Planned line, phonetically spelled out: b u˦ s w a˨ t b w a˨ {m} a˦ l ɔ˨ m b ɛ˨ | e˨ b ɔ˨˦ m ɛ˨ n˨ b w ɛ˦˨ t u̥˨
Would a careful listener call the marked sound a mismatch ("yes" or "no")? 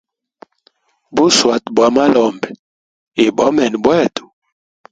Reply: no